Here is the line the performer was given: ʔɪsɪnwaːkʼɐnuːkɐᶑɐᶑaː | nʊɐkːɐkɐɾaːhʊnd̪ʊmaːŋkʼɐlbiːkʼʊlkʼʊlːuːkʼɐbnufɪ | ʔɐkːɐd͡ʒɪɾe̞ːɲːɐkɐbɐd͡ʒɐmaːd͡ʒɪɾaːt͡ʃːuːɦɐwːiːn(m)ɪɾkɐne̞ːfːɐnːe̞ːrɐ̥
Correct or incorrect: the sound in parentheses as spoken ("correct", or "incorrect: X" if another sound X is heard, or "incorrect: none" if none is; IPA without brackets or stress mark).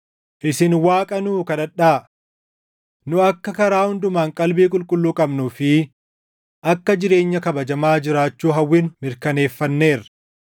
correct